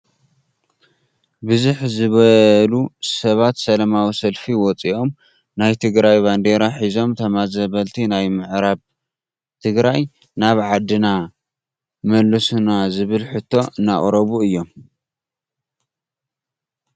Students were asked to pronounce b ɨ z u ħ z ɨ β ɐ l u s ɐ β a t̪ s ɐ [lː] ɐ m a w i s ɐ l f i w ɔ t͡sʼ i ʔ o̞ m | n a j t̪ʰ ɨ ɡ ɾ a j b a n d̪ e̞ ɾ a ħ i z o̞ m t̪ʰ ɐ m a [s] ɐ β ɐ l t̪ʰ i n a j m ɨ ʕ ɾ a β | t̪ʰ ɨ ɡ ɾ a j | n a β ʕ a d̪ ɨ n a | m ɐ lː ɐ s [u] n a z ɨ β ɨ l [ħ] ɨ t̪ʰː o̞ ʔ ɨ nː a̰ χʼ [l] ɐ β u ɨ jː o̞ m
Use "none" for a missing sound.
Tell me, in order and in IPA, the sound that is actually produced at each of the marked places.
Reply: l, z, u, ħ, ɾ

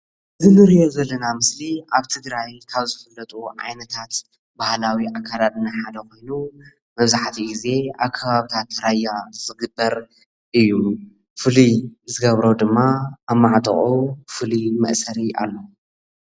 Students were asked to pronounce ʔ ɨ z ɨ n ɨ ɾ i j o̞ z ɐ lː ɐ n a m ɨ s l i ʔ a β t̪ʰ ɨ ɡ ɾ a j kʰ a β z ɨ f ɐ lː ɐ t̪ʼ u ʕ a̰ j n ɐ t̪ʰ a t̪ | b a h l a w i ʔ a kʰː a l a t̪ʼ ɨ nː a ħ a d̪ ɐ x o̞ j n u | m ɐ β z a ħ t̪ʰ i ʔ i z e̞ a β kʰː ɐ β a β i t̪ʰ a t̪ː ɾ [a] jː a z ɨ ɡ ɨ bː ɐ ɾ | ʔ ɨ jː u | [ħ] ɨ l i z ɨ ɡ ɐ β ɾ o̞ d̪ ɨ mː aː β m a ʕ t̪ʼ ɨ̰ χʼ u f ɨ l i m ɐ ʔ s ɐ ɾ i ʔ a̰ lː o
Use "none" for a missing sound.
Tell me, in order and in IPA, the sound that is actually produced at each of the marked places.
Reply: a, f

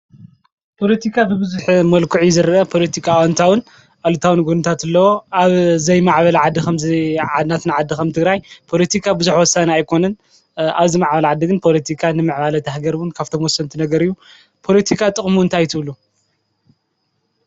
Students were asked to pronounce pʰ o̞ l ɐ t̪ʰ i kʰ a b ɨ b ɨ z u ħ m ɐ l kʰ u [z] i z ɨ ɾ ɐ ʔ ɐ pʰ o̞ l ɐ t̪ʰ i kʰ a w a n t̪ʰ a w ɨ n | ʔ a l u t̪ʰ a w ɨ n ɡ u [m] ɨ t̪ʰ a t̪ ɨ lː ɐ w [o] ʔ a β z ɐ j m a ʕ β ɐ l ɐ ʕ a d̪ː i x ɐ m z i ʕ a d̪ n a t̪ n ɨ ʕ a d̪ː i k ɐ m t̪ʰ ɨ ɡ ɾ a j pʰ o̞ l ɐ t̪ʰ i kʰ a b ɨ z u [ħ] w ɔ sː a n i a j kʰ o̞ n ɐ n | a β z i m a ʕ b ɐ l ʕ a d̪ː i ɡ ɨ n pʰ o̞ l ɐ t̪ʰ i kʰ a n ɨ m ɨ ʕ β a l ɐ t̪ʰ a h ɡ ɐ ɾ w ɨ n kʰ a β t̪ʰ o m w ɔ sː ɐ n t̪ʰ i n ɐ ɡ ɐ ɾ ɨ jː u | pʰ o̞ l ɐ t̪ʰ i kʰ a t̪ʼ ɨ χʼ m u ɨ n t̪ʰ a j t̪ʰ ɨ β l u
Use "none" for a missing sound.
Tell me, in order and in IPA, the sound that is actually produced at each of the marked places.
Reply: ʕ, n, o, ħ

